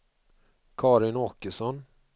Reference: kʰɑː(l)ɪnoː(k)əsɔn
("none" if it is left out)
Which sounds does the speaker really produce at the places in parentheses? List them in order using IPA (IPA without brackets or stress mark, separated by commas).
ɾ, k